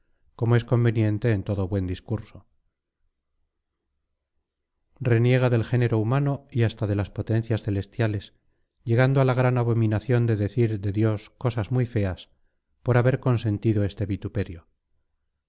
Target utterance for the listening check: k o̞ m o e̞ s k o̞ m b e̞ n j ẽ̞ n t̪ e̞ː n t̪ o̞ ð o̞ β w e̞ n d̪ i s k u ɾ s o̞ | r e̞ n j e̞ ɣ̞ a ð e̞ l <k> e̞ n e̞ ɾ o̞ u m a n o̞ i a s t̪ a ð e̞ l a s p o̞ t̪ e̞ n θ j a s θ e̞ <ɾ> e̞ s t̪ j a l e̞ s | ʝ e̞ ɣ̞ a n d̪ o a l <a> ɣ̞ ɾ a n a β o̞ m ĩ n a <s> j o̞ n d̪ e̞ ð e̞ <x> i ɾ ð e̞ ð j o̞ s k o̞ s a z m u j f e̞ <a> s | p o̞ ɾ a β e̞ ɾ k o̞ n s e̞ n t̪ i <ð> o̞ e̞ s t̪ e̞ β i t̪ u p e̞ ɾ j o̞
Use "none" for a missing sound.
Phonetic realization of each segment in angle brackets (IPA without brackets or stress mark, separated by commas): x, l, a, θ, θ, a, ð